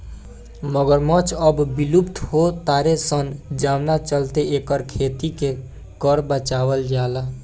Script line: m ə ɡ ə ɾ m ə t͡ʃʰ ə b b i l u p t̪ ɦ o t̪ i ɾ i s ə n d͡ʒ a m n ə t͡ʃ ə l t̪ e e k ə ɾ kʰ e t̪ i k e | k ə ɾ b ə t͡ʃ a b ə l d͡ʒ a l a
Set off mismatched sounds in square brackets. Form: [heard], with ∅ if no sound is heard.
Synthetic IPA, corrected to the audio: m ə ɡ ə ɾ m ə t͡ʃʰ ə b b i l u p t̪ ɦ o t̪ [a] ɾ [e] s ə n d͡ʒ a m n [a] t͡ʃ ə l t̪ e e k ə ɾ kʰ e t̪ i k e | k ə ɾ b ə t͡ʃ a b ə l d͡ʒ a l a